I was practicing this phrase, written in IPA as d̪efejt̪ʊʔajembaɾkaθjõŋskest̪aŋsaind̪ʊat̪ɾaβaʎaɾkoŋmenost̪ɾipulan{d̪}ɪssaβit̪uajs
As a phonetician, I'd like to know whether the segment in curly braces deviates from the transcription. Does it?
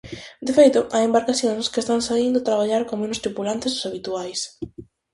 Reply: yes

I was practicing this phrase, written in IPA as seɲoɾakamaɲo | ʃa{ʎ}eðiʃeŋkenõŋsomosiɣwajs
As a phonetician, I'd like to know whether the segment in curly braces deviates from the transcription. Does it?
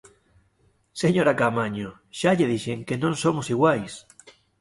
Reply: no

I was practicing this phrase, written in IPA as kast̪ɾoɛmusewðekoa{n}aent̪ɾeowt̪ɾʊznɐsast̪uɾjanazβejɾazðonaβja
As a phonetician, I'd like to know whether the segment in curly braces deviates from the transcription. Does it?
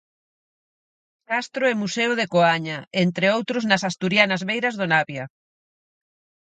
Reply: yes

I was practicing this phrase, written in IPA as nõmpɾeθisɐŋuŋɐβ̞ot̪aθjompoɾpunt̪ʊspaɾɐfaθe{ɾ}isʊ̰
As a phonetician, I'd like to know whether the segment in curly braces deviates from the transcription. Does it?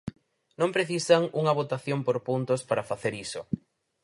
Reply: no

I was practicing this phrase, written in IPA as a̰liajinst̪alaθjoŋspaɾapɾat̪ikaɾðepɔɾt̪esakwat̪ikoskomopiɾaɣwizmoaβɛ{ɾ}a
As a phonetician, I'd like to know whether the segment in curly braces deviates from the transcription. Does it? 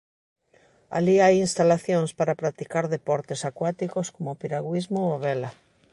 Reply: yes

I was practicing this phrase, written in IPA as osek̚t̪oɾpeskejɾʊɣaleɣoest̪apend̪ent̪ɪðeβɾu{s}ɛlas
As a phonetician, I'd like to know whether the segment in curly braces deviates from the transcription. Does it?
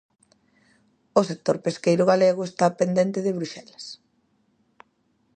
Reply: yes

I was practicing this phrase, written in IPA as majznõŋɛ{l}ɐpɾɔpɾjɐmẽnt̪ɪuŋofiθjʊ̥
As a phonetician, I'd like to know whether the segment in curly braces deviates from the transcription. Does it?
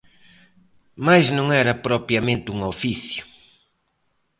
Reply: yes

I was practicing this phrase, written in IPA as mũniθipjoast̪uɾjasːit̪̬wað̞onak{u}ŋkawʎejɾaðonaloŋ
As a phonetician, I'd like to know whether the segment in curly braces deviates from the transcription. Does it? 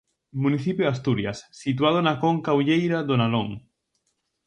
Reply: yes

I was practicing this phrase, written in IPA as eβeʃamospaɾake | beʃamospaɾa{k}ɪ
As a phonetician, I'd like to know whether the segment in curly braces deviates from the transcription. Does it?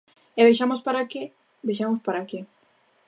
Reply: no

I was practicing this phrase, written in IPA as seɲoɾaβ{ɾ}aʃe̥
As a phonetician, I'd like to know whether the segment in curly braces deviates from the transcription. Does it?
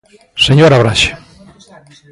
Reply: no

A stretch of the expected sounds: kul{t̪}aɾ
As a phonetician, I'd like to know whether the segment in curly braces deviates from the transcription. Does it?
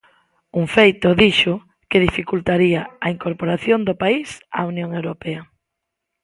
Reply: no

